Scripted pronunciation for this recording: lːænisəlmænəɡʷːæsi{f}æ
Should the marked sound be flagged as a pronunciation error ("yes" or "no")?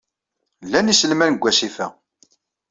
no